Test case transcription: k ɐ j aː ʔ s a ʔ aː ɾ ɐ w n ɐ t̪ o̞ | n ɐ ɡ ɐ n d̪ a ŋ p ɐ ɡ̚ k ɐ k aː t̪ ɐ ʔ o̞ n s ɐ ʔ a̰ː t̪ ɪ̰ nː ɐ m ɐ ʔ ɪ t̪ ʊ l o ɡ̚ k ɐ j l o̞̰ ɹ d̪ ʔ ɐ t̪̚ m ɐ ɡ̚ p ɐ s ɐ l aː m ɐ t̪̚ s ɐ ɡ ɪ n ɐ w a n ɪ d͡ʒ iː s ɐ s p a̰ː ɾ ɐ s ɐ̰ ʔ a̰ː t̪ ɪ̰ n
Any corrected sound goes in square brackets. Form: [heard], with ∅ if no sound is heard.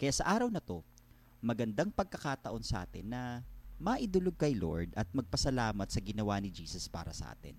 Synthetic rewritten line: k ɐ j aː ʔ s [ɐ] ʔ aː ɾ ɐ w n ɐ t̪ o̞ | [m] ɐ ɡ ɐ n d̪ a ŋ p ɐ ɡ̚ k ɐ k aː t̪ ɐ ʔ o̞ n s ɐ ʔ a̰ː t̪ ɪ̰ nː ɐ m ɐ ʔ ɪ [d̪] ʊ l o ɡ̚ k ɐ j l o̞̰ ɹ d̪ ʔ ɐ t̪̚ m ɐ ɡ̚ p ɐ s ɐ l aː m ɐ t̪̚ s ɐ ɡ ɪ n ɐ w a n ɪ d͡ʒ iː s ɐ s p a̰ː ɾ ɐ s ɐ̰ ʔ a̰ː t̪ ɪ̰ n